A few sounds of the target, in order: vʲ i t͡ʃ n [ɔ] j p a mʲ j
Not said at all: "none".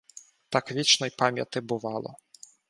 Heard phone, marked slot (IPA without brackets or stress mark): ɔ